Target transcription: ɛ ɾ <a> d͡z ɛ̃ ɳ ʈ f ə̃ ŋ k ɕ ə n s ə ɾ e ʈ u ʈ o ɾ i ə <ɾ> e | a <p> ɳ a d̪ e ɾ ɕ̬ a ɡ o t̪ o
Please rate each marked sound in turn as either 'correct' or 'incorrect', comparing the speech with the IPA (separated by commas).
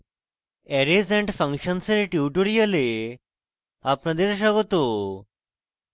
incorrect, incorrect, correct